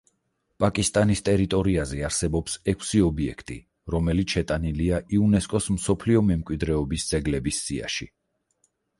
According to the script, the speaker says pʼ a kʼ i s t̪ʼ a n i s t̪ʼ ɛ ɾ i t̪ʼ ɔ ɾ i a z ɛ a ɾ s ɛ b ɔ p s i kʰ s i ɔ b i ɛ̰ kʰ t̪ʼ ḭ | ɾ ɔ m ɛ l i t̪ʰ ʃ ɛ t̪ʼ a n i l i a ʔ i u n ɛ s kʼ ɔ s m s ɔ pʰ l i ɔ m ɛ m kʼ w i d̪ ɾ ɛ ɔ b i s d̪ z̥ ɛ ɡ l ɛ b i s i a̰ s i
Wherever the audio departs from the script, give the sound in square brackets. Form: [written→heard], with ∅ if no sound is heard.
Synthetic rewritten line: pʼ a kʼ i s t̪ʼ a n i s t̪ʼ ɛ ɾ i t̪ʼ ɔ ɾ i a z ɛ a ɾ s ɛ b ɔ p s [i→ɛ] kʰ s i ɔ b i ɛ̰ kʰ t̪ʼ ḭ | ɾ ɔ m ɛ l i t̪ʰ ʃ ɛ t̪ʼ a n i l i a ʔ i u n ɛ s kʼ ɔ s m s ɔ pʰ l i ɔ m ɛ m kʼ w i d̪ ɾ ɛ ɔ b i s d̪ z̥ ɛ ɡ l ɛ b i [s→sː] i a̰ [s→ʃ] i